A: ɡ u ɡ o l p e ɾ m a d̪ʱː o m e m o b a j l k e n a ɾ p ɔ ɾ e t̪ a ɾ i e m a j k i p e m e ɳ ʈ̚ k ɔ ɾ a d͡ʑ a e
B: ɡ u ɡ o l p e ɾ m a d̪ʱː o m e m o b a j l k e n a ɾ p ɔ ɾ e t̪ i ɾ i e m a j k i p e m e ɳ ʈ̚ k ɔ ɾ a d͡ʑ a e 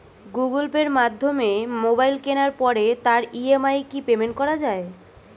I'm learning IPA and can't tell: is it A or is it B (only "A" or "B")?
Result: A